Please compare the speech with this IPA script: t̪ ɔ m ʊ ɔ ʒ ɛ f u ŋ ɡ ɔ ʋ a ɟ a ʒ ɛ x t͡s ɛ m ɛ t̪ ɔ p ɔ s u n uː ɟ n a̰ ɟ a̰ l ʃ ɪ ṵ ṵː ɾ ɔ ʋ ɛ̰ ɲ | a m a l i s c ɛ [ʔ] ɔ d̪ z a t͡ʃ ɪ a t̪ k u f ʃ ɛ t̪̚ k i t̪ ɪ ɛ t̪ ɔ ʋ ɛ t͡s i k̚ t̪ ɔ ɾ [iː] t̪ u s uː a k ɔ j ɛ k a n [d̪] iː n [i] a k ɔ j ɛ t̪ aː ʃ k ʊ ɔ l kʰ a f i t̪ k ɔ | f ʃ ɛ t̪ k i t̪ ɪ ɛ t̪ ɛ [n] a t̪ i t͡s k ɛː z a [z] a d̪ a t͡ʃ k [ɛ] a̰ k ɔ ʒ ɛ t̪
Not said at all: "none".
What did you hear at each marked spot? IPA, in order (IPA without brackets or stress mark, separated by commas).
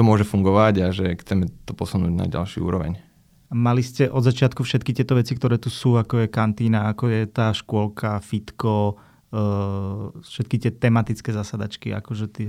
ʔ, ɛː, t̪, a, m, s, i